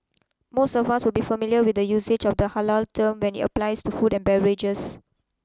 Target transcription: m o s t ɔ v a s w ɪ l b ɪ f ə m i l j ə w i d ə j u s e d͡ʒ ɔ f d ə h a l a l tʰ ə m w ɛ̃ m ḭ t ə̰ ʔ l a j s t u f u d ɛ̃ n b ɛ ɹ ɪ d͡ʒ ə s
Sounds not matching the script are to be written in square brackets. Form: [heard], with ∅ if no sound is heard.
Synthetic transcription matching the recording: m o s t ɔ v a s w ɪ l b [i] f ə m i l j ə w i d ə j u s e d͡ʒ ɔ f d ə h a l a l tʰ ə m w ɛ̃ [n] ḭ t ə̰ [p] l a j s t u f u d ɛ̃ n b ɛ ɹ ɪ d͡ʒ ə s